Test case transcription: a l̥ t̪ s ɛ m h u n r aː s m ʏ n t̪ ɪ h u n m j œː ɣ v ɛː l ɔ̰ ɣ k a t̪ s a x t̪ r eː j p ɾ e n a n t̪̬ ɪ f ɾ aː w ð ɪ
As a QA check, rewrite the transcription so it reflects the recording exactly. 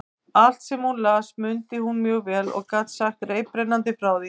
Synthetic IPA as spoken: a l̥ t̪ s ɛ m h u n l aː s m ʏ n t̪ ɪ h u n m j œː ɣ v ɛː l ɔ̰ ɣ k a t̪ s a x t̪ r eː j p ɾ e n a n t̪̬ ɪ f ɾ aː w ð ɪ